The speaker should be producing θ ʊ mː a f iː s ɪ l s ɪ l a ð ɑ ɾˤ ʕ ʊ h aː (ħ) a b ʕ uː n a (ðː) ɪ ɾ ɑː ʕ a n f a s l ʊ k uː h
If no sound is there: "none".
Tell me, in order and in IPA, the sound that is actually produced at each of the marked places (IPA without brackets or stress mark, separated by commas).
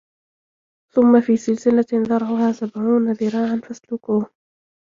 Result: s, ð